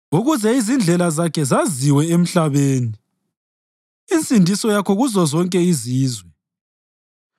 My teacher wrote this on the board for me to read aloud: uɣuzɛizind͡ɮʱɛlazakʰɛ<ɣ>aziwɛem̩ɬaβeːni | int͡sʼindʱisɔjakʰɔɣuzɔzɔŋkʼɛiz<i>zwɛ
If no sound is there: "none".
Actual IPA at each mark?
z, iː

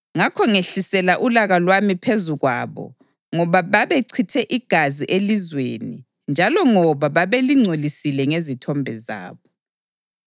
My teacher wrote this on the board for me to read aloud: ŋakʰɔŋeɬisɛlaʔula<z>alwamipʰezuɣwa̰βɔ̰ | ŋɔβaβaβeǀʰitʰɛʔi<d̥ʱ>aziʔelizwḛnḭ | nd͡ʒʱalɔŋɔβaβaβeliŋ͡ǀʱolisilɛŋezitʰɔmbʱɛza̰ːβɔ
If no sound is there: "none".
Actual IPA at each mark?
ɣ, ɡ̥ʱ

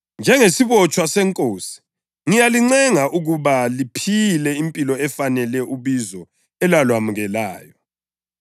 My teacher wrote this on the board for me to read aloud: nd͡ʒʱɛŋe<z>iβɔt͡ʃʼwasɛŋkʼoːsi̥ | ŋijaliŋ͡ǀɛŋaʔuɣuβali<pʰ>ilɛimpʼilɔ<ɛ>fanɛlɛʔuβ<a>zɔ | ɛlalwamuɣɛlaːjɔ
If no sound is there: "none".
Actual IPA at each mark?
s, pʰ, ɛ, i

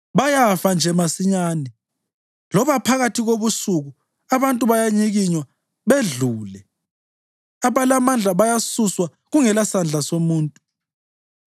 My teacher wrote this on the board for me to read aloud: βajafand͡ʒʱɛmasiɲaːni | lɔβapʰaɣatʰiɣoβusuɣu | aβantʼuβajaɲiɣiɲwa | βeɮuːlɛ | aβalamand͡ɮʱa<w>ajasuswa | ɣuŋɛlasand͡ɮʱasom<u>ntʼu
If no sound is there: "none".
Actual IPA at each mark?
β, uː

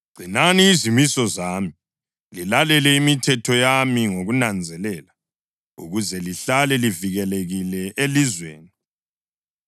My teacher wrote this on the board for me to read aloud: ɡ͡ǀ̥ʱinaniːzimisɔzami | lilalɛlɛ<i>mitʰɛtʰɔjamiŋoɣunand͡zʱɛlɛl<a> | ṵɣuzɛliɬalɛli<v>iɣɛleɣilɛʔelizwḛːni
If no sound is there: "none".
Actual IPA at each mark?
i, a, v

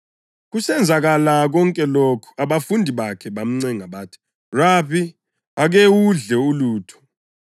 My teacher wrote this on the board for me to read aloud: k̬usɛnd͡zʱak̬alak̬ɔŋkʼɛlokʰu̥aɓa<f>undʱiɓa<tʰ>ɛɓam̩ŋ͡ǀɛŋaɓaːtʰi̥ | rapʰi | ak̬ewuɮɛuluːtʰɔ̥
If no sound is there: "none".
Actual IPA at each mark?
f, kʰ

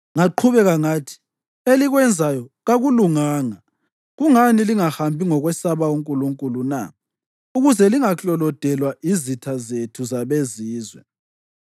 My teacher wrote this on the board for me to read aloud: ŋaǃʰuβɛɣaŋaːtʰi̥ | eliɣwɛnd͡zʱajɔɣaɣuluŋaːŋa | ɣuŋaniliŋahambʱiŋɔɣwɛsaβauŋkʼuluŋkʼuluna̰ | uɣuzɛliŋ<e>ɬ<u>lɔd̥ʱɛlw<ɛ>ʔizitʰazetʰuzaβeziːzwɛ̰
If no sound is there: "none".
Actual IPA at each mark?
a, ɔ, a

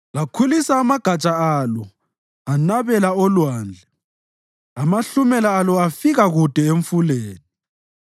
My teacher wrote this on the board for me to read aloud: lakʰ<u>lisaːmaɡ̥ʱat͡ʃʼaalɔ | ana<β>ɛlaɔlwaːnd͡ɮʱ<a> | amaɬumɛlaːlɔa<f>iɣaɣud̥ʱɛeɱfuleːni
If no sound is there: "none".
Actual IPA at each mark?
u, β, ɛ, f

